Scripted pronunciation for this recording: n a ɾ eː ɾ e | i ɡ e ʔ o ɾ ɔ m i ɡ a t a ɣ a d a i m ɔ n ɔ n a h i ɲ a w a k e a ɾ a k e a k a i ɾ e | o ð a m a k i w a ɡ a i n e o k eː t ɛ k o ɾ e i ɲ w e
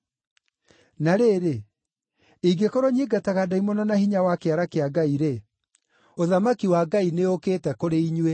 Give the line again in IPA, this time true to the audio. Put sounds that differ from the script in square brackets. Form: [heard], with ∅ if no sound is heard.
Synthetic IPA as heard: n a ɾ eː ɾ e | i ɡ e [k] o ɾ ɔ [ɲ] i ɡ a t a ɣ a d a i m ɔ n ɔ n a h i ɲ a w a k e a ɾ a k e a [ɡ] a i ɾ e | o ð a m a k i w a ɡ a i n e o k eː t ɛ k o ɾ e i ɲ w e